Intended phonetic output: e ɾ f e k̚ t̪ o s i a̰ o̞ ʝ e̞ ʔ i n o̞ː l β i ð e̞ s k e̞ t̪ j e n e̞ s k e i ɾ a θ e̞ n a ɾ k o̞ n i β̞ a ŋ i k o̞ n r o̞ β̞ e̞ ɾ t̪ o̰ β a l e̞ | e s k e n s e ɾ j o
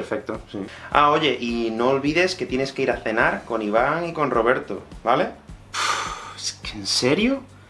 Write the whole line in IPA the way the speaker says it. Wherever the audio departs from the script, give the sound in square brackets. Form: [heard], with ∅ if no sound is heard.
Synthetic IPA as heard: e ɾ f e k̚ t̪ o s i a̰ o̞ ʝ e̞ ʔ i n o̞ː l β i ð e̞ s k e̞ t̪ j e n e̞ s k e i ɾ a θ e̞ n a ɾ k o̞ n i β̞ a ŋ i k o̞ n r o̞ β̞ e̞ ɾ t̪ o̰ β a l e̞ | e s k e n s e ɾ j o